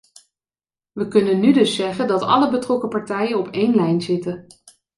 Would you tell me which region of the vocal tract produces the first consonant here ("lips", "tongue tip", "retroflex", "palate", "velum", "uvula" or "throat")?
lips